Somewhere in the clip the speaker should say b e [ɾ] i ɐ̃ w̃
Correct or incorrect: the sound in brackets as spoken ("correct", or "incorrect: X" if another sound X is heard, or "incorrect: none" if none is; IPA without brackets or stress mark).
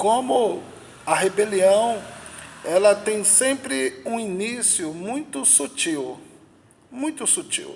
incorrect: l